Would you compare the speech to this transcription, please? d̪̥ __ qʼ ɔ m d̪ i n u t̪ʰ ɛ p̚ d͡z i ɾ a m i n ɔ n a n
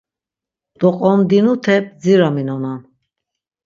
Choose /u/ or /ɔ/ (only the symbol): ɔ